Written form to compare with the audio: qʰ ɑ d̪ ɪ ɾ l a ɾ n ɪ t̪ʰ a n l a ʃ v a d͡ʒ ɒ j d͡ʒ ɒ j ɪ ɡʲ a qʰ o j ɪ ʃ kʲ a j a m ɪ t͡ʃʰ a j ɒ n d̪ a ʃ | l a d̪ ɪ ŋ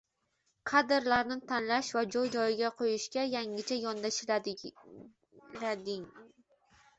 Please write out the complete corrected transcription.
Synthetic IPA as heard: qʰ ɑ d̪ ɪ ɾ l a ɾ n ɪ t̪ʰ a n l a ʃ v a d͡ʒ ɒ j d͡ʒ ɒ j ɪ ɡʲ a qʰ o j ɪ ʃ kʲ a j a ŋ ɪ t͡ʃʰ a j ɒ n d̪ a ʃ | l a d̪ ɪ ŋ